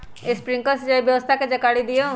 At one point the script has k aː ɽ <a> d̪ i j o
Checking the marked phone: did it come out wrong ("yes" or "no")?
yes